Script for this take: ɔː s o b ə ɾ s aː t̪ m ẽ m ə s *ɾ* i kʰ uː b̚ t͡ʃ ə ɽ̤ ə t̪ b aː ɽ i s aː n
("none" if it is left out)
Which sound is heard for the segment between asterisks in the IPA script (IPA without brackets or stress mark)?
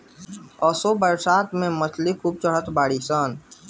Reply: l